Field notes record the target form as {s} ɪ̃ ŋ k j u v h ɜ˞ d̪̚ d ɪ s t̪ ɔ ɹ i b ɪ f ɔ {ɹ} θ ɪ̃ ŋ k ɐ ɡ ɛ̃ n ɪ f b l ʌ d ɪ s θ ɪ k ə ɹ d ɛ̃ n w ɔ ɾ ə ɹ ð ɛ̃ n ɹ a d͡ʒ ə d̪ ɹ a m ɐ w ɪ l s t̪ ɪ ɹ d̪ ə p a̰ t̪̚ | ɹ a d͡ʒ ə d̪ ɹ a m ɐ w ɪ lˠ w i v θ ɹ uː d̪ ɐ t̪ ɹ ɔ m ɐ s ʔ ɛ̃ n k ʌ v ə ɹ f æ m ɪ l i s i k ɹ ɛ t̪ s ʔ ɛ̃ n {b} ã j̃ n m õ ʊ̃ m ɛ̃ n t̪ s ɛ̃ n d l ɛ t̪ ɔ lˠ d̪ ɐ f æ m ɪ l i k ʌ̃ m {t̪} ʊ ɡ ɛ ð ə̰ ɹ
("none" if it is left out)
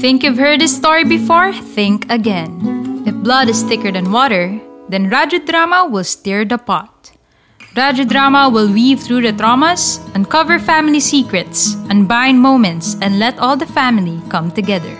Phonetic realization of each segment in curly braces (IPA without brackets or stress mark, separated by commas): θ, ɹ, b, t̪